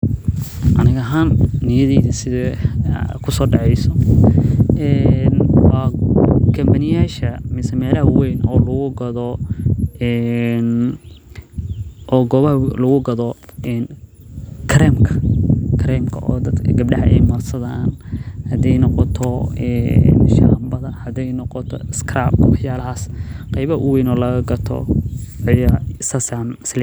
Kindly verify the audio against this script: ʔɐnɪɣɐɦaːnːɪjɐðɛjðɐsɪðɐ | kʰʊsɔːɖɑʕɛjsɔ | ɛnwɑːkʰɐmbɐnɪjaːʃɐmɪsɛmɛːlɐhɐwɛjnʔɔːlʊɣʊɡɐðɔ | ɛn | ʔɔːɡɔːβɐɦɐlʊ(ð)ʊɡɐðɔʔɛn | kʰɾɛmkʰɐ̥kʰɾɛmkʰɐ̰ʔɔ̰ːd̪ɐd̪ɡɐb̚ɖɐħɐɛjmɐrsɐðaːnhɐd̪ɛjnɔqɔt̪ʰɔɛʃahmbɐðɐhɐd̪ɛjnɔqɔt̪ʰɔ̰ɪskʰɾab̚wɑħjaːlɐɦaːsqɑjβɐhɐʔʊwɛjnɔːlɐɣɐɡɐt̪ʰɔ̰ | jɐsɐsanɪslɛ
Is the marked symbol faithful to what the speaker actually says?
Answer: no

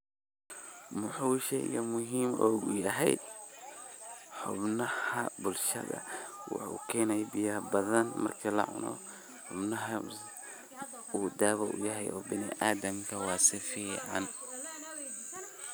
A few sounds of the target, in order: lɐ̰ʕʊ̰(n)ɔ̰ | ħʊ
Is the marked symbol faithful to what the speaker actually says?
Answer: yes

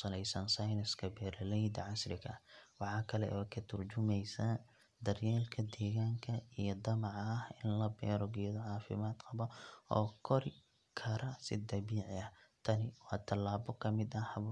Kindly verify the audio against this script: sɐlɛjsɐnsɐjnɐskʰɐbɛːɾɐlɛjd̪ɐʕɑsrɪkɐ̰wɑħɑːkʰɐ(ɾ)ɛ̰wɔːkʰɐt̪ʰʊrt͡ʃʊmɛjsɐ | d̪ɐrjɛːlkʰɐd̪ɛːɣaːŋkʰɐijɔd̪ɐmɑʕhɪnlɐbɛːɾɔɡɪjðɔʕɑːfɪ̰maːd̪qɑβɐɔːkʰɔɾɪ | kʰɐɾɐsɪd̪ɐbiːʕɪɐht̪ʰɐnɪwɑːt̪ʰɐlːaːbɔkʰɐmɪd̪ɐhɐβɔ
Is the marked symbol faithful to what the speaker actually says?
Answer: no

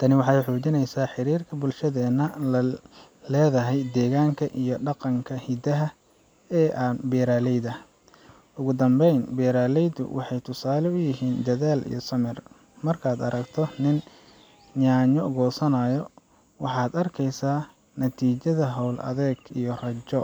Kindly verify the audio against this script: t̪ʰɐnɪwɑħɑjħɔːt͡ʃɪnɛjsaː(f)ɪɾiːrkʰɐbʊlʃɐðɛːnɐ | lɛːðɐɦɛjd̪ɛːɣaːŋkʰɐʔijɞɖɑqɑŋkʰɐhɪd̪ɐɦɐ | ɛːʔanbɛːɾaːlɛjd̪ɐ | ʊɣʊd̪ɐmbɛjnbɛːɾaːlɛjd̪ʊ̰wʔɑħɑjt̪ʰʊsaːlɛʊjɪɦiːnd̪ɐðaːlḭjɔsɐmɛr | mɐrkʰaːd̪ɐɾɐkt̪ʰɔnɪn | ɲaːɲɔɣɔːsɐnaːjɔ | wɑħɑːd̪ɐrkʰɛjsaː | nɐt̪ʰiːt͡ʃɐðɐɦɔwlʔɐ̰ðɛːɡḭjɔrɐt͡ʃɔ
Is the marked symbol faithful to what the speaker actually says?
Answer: no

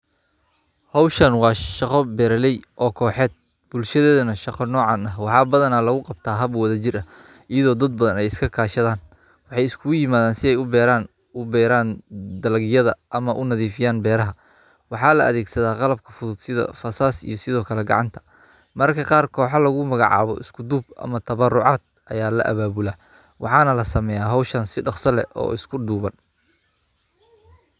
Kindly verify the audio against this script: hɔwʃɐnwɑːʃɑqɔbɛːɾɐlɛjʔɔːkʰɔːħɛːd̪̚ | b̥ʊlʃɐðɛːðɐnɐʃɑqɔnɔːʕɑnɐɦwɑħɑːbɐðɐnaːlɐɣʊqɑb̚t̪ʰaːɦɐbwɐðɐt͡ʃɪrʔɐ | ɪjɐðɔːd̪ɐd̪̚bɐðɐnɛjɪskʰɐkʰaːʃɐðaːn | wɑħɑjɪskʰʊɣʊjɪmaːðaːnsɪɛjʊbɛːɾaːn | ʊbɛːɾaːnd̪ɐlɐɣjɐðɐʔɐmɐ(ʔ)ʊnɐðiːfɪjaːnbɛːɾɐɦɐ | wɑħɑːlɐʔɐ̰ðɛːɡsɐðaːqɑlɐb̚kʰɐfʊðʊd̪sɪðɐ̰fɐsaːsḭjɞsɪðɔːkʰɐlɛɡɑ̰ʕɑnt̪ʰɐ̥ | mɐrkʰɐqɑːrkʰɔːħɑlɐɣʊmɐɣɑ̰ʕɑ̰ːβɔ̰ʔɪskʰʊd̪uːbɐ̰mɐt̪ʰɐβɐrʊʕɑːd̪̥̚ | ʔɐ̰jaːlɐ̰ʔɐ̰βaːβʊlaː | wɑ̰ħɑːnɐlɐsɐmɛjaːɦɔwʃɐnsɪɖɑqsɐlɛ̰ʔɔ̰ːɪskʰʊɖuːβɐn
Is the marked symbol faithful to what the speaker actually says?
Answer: yes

